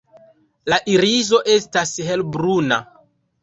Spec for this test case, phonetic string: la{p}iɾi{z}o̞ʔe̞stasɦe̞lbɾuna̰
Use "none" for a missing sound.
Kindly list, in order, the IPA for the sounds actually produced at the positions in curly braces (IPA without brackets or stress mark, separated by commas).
ʔ, z